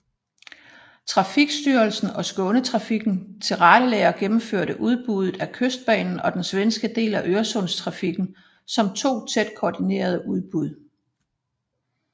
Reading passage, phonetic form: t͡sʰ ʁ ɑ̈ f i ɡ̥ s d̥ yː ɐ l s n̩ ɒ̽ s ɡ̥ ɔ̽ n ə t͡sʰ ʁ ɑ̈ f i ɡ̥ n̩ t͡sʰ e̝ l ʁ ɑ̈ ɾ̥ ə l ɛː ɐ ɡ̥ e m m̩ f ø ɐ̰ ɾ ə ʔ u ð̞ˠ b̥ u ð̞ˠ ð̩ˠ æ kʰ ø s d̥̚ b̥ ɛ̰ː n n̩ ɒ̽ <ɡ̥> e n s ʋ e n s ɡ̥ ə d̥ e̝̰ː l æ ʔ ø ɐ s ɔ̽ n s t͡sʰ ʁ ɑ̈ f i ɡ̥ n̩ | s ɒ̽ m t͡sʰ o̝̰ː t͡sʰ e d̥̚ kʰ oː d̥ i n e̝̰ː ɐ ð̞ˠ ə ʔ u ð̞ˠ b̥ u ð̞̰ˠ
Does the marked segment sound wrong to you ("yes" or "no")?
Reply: yes